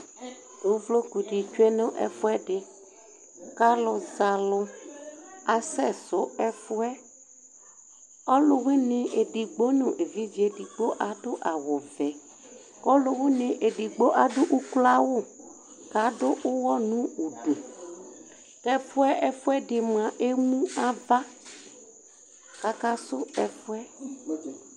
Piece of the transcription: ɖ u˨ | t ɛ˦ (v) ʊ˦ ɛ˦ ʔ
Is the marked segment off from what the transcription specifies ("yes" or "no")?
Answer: yes